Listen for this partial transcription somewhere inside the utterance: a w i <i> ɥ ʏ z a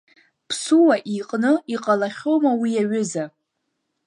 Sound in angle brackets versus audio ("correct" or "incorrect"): incorrect